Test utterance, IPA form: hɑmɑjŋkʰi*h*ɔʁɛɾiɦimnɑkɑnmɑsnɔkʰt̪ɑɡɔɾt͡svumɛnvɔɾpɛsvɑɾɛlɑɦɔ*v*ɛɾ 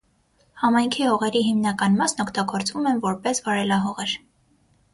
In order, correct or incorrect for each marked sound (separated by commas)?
correct, incorrect